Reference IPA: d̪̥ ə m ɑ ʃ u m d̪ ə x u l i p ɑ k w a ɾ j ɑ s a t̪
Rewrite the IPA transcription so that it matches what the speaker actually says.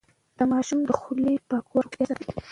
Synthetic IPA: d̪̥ ə m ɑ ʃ u m d̪ ə x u l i p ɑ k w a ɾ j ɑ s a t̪